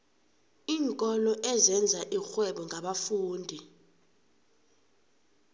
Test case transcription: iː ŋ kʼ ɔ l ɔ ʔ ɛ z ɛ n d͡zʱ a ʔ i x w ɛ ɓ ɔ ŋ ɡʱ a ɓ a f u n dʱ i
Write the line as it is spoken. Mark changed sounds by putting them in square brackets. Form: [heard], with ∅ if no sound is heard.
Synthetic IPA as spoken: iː ŋ kʼ ɔ l ɔ ʔ ɛ z ɛ n d͡zʱ a ʔ i x w ɛ ɓ ɔ ŋ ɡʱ a ɓ a f [uː] n dʱ i